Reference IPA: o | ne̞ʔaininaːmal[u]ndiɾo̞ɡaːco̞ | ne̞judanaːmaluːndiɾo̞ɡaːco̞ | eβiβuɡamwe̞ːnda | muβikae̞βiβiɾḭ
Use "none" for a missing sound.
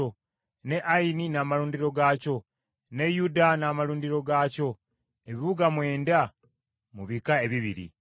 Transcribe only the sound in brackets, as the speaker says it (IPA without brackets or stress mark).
uː